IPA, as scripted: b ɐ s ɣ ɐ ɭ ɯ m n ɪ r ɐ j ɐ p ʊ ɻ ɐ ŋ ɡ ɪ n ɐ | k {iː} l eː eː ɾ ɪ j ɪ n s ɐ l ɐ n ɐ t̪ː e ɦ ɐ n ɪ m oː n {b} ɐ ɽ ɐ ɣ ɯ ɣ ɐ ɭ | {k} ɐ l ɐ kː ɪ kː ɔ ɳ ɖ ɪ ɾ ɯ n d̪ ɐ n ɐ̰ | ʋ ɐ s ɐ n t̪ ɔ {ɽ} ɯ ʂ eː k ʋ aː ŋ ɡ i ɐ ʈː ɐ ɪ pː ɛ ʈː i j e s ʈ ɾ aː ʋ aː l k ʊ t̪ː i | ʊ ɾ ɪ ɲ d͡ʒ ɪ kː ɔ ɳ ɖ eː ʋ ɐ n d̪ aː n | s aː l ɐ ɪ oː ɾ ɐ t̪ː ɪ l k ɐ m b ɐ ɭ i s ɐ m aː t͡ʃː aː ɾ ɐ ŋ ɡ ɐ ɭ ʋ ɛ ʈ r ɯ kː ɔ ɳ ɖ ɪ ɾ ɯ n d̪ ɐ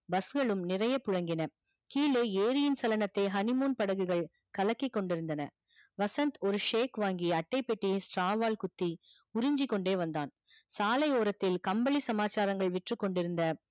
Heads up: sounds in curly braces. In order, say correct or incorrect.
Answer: correct, incorrect, correct, incorrect

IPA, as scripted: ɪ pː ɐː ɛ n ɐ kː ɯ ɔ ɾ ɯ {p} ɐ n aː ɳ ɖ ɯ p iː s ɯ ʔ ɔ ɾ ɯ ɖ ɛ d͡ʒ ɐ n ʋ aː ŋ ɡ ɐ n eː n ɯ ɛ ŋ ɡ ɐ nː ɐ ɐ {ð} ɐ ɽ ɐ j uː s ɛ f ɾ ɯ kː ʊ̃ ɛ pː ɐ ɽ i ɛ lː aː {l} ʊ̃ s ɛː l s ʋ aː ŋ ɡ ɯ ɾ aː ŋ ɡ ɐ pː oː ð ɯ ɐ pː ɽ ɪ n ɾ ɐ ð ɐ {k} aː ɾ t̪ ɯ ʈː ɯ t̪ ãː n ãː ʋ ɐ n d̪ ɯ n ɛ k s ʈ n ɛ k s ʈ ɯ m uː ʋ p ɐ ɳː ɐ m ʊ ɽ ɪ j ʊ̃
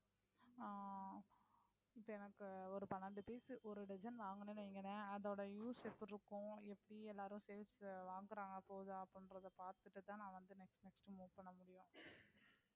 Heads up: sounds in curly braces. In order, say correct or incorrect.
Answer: correct, correct, incorrect, incorrect

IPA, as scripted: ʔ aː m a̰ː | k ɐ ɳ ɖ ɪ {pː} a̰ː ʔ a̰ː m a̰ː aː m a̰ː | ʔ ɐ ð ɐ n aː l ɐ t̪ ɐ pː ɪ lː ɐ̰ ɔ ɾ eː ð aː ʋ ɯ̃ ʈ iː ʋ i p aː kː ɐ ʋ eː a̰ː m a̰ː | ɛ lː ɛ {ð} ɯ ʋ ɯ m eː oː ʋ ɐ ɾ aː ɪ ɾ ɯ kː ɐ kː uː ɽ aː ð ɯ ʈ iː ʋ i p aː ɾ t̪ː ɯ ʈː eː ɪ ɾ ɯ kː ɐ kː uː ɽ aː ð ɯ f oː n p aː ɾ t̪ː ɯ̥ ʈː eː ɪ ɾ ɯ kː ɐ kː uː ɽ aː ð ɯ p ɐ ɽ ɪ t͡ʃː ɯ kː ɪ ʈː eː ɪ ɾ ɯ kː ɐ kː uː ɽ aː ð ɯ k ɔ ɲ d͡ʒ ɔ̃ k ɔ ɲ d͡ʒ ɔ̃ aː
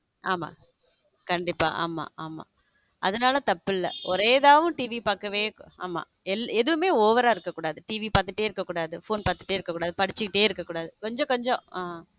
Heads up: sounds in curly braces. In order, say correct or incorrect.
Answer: correct, correct

